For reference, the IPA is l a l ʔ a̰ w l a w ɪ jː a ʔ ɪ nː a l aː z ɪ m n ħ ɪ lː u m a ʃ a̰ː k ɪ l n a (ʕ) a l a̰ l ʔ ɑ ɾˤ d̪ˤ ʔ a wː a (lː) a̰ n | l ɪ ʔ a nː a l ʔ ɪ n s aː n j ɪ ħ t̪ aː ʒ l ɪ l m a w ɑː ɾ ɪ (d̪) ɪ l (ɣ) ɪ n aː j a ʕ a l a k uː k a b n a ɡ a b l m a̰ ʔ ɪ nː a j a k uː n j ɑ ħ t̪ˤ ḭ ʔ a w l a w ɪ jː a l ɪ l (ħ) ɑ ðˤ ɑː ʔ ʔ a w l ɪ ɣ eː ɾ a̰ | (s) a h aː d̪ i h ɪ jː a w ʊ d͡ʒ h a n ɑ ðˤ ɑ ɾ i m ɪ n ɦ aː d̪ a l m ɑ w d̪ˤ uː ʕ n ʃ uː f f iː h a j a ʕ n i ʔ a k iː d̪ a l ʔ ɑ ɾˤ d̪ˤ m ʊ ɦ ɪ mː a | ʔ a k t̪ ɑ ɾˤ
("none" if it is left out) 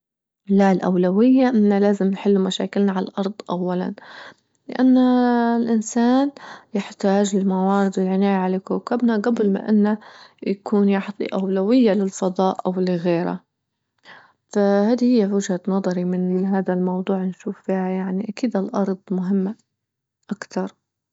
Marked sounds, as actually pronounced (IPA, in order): ʕ, l, d̪, ʕ, f, f

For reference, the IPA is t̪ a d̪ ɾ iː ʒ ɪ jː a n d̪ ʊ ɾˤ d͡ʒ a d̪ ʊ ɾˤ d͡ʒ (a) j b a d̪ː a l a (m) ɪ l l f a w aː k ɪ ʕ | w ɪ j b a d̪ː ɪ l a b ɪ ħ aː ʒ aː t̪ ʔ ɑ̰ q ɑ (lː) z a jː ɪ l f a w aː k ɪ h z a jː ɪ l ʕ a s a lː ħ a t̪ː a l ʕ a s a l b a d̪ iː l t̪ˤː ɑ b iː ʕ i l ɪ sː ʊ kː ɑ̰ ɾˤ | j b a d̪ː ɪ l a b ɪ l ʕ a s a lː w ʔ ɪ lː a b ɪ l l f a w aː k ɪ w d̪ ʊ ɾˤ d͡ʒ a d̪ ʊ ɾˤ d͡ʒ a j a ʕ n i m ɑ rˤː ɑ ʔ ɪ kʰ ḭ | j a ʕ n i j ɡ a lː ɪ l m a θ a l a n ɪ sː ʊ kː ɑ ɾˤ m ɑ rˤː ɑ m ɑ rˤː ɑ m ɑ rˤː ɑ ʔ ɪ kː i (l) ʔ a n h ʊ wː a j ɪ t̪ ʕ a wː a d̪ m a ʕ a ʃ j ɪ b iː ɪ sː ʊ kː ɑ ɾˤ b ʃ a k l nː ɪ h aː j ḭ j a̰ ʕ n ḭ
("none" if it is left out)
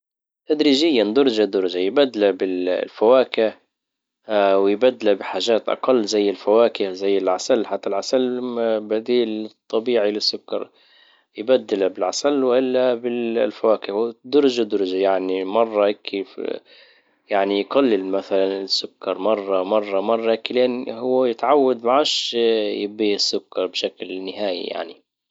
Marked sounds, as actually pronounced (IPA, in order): a, b, lː, l

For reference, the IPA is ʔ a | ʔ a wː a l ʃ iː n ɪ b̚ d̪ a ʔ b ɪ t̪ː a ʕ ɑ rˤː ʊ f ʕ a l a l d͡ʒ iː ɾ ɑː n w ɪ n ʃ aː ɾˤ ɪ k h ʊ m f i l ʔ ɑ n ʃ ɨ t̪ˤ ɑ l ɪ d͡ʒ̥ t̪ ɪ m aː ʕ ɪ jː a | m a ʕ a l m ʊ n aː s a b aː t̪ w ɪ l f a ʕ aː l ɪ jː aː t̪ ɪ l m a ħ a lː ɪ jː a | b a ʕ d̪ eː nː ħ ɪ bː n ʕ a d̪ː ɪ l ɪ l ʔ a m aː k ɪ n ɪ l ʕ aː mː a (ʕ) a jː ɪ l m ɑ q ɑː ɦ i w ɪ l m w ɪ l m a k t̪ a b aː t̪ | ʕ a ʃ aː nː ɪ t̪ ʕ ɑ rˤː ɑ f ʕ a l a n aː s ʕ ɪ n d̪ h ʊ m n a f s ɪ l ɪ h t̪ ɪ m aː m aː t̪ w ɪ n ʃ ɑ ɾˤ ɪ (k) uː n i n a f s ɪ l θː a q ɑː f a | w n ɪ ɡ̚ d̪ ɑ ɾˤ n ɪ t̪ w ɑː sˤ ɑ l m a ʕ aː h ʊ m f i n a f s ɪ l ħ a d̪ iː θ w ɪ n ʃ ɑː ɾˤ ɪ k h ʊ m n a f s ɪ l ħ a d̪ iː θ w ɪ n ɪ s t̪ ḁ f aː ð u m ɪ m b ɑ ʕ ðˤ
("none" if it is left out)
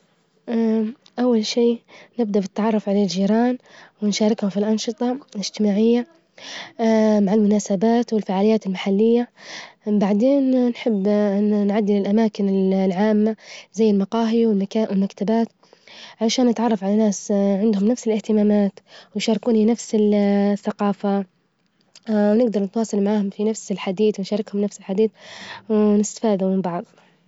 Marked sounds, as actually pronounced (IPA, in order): z, k

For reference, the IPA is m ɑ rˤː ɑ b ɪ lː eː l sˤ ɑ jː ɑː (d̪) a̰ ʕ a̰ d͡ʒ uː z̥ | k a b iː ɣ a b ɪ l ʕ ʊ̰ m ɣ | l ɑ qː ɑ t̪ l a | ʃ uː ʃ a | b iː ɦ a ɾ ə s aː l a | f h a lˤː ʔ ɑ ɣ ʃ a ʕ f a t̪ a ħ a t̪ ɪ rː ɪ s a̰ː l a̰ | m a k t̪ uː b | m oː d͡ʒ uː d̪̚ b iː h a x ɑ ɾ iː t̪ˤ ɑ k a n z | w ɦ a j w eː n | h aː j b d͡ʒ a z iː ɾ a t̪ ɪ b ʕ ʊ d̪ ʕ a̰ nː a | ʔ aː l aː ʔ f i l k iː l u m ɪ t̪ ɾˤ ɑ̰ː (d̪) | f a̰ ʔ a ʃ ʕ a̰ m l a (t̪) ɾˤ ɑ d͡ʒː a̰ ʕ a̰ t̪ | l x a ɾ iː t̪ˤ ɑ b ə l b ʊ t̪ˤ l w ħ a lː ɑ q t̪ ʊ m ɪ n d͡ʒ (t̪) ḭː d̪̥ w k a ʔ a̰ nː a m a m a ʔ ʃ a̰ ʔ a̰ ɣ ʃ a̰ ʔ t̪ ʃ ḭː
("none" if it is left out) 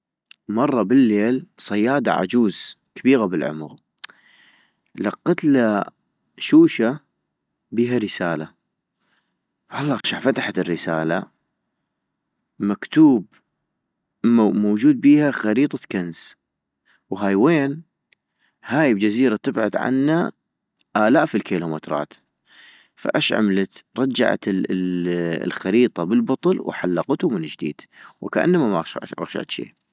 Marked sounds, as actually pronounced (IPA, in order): d̪, t̪, t̪, d̪

